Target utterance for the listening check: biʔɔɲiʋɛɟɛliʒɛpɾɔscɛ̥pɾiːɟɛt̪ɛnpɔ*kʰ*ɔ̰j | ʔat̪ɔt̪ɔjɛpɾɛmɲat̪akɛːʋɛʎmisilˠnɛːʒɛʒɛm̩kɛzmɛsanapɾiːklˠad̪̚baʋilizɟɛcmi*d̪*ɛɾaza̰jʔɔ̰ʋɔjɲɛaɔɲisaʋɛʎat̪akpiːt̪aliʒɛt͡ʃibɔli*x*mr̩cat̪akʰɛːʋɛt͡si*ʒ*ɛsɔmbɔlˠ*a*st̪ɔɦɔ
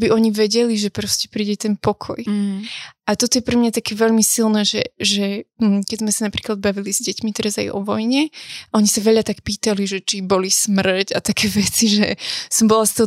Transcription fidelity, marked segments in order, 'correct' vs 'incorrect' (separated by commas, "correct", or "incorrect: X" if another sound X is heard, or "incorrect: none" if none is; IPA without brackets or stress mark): correct, incorrect: t̪, incorrect: s, correct, correct